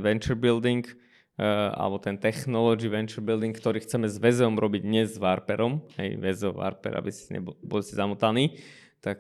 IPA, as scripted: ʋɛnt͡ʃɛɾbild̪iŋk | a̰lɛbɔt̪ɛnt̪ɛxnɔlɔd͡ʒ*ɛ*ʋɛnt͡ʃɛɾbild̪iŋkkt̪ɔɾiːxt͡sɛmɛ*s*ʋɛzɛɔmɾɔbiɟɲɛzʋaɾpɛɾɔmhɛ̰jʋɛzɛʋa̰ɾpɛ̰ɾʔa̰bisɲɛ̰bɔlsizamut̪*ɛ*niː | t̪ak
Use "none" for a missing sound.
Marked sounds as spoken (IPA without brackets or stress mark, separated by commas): i, z, a